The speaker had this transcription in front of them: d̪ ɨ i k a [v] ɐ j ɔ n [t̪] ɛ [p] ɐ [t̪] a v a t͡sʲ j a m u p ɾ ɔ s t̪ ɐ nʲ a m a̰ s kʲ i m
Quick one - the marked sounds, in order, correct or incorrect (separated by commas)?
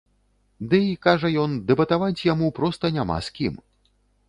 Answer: incorrect, incorrect, incorrect, correct